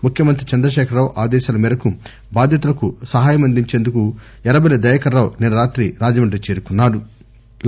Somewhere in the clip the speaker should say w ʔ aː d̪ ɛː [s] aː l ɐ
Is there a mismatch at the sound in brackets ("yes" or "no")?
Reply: yes